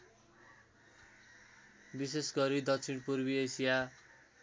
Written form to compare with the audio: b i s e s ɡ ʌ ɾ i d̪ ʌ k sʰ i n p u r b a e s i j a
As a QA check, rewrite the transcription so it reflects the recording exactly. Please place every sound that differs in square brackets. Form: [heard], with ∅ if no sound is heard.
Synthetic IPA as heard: b i s e s ɡ ʌ ɾ i d̪ ʌ k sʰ i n p u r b [i] e s i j a